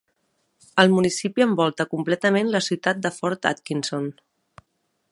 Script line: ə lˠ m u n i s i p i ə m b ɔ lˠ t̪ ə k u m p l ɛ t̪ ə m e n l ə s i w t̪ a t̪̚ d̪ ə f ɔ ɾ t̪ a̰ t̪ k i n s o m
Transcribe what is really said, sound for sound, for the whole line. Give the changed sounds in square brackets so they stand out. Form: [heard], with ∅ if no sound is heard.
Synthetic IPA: ə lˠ m u n i s i p i ə m b ɔ lˠ t̪ ə k u m p l ɛ t̪ ə m e n l ə s i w t̪ a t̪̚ d̪ ə f ɔ ɾ t̪ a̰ t̪ k i n s o [n]